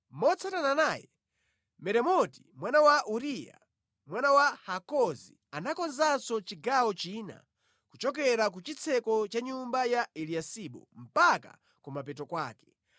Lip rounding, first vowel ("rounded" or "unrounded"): rounded